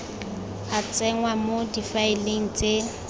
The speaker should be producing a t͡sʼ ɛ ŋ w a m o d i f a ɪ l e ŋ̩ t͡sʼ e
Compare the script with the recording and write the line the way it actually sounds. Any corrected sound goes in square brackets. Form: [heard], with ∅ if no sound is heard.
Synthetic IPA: a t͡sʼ ɛ ŋ w a m o d i f a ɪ l e ŋ̩ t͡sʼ e